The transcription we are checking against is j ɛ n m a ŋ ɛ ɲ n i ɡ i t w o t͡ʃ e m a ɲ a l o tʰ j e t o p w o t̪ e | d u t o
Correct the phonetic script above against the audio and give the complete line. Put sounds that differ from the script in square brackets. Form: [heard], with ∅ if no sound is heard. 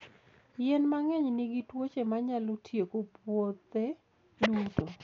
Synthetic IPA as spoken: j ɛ n m a ŋ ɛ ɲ n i ɡ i t w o t͡ʃ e m a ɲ a l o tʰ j e [k] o p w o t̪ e | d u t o